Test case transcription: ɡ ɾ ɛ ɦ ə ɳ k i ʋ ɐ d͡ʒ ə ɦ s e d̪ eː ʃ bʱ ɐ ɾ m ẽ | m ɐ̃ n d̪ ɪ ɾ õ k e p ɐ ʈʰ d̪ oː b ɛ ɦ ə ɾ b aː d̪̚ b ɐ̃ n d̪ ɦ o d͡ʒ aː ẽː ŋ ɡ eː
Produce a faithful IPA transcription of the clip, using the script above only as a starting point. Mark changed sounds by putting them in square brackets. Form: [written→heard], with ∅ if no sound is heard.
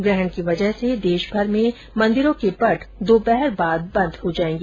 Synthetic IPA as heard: ɡ ɾ ɛ ɦ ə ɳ k i ʋ ɐ d͡ʒ ə ɦ s e d̪ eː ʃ bʱ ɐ ɾ m ẽ | m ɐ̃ n d̪ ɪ ɾ õ k e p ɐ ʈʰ d̪ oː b ɛ ɦ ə ɾ b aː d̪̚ b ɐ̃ n d̪ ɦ o d͡ʒ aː ẽː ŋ ɡ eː